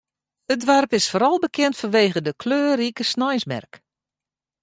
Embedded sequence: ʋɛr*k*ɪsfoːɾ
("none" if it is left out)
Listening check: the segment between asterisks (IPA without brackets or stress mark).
p